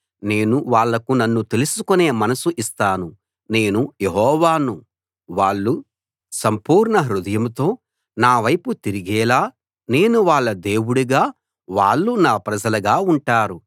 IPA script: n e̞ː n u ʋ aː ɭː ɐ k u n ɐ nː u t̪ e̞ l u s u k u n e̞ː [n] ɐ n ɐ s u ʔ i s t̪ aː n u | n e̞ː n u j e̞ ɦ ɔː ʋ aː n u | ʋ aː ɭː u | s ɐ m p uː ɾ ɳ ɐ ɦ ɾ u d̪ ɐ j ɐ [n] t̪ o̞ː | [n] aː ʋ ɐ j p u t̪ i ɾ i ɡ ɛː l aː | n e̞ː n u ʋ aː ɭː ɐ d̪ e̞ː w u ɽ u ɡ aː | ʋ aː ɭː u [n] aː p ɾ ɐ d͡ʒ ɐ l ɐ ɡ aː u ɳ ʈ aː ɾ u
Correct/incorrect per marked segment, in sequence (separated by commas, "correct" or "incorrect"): incorrect, incorrect, correct, correct